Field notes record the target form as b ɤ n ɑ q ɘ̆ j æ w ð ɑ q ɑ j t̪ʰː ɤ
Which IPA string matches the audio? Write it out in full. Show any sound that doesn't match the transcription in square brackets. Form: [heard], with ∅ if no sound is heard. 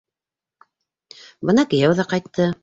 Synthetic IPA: b ɤ n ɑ [k] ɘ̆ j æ w ð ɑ q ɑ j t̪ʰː ɤ

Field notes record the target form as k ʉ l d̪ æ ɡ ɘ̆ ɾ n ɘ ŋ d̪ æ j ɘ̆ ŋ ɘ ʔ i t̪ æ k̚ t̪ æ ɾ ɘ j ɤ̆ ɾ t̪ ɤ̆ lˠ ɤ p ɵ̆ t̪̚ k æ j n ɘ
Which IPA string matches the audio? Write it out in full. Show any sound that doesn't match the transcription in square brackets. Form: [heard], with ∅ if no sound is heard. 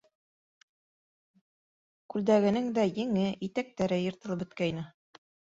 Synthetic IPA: k ʉ l d̪ æ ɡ ɘ̆ [∅] n ɘ ŋ d̪ æ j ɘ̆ ŋ ɘ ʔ i t̪ æ k̚ t̪ æ ɾ ɘ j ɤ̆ ɾ t̪ ɤ̆ lˠ ɤ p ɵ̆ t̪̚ k æ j n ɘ

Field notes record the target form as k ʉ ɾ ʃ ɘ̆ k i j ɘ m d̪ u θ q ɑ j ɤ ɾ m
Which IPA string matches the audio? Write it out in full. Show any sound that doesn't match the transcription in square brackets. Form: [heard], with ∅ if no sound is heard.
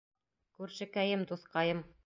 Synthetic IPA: k ʉ ɾ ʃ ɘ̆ k [æ] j ɘ m d̪ u θ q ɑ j ɤ [∅] m

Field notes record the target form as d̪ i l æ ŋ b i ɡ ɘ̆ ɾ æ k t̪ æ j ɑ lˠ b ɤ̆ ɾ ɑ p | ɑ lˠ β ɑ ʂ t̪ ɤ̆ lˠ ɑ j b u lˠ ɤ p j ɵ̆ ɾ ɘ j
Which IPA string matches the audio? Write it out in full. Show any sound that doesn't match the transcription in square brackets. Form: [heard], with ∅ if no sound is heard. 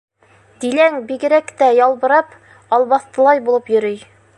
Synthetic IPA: d̪ i l æ ŋ b i ɡ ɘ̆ ɾ æ k t̪ æ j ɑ lˠ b ɤ̆ ɾ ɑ p | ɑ lˠ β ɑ [θ] t̪ ɤ̆ lˠ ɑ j b u lˠ ɤ p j ɵ̆ ɾ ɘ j

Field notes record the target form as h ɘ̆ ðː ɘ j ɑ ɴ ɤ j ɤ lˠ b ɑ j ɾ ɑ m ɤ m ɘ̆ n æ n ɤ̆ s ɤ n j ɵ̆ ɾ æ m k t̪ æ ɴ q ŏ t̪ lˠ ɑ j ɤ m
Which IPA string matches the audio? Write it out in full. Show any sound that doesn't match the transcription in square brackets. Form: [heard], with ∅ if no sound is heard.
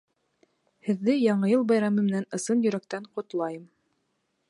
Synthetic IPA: h ɘ̆ ðː ɘ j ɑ ɴ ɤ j ɤ lˠ b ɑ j ɾ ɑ m ɤ m ɘ̆ n æ n ɤ̆ s ɤ n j ɵ̆ ɾ æ [∅] k t̪ æ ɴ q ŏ t̪ lˠ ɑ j ɤ m

